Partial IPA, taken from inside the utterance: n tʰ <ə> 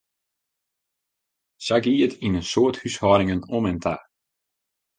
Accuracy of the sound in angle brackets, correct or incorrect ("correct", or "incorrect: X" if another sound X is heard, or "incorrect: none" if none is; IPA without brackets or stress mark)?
incorrect: a